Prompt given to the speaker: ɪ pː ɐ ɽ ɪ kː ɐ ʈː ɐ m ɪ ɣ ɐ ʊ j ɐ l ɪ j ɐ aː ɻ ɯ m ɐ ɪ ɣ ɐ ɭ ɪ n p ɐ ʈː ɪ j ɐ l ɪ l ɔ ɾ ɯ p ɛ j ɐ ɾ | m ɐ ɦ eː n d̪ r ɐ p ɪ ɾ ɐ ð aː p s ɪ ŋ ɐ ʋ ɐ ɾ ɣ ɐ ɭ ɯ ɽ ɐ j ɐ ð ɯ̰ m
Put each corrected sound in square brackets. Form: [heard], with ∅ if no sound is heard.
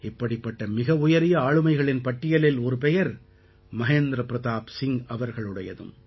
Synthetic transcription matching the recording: ɪ pː ɐ ɽ ɪ [pː] ɐ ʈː ɐ m ɪ ɣ ɐ ʊ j ɐ [ɾ] ɪ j ɐ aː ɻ ɯ m ɐ ɪ ɣ ɐ ɭ ɪ n p ɐ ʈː ɪ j ɐ l ɪ l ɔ ɾ ɯ p ɛ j ɐ ɾ | m ɐ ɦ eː n d̪ [ɾ] ɐ p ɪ ɾ ɐ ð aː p s ɪ ŋ ɐ ʋ ɐ ɾ ɣ ɐ ɭ ɯ ɽ ɐ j ɐ ð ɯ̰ m